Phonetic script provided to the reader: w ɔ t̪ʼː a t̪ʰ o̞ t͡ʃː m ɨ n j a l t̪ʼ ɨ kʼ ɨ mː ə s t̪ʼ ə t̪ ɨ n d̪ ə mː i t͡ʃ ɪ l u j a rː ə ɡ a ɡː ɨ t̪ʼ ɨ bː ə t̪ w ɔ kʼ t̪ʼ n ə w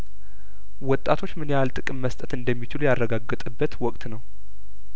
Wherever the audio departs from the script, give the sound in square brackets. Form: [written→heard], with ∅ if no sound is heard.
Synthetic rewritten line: w ɔ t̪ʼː a t̪ʰ o̞ t͡ʃː m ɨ n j a l t̪ʼ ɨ kʼ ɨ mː ə s t̪ʼ ə t̪ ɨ n d̪ ə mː i t͡ʃ ɪ l u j a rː ə ɡ a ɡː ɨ t̪ʼ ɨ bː ə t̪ w ɔ kʼ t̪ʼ n ə w